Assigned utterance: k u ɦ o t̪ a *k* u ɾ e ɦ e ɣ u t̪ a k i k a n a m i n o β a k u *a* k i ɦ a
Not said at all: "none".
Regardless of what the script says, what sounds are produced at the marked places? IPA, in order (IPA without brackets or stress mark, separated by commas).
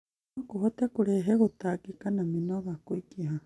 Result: k, i